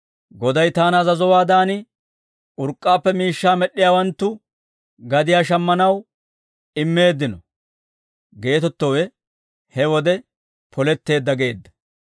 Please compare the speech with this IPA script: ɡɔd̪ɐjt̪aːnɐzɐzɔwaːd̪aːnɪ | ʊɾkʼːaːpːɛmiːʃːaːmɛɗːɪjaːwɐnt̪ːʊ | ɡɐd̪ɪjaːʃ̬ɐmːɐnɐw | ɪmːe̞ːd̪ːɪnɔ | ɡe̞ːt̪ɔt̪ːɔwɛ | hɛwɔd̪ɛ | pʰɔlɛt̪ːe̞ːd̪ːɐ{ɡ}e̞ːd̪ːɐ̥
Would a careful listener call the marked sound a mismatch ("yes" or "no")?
no